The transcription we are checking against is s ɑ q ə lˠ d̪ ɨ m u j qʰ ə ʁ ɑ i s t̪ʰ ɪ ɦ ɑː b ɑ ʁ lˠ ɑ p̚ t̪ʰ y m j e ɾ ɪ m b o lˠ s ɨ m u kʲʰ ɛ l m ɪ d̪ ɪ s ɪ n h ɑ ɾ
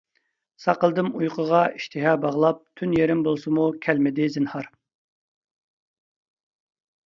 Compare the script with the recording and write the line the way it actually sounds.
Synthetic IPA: s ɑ q ə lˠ d̪ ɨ m u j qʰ ə ʁ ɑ i ʃ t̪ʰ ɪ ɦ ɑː b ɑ ʁ lˠ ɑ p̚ t̪ʰ y n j e ɾ ɪ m b o lˠ s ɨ m u kʲʰ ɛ l m ɪ d̪ ɪ z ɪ n h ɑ ɾ